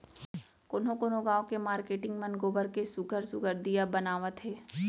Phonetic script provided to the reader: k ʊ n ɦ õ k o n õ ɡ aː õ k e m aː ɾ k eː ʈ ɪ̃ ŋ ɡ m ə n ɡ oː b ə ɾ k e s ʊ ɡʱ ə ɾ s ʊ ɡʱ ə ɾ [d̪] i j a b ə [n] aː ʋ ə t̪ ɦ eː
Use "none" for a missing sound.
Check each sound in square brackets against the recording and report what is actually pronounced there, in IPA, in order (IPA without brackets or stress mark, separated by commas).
d̪, n